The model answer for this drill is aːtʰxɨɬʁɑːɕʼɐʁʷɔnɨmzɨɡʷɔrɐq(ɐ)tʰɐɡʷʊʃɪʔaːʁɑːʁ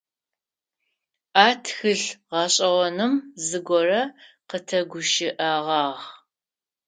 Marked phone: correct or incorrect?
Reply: incorrect